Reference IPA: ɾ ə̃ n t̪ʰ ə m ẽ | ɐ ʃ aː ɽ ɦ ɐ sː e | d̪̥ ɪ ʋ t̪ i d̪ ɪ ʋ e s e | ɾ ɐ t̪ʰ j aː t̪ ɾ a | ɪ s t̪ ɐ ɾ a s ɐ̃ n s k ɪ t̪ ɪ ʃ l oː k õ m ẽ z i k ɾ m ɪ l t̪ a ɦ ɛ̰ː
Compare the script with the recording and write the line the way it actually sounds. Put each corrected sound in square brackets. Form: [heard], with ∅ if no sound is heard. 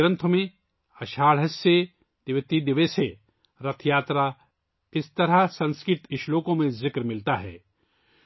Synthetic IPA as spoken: ɾ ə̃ n t̪ʰ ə m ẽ | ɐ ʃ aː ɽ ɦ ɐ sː e | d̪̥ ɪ ʋ t̪ i d̪ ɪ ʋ e s e | ɾ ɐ t̪ʰ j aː t̪ ɾ a | ɪ s t̪ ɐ ɾ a s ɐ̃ n s k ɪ t̪ ɪ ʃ l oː k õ m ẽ z [ɪ] k ɾ m ɪ l t̪ a ɦ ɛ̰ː